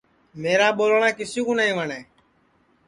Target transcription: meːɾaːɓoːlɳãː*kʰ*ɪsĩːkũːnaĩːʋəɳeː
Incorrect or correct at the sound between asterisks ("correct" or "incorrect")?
incorrect